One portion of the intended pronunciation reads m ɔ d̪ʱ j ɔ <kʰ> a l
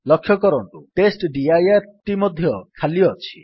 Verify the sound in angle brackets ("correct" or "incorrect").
correct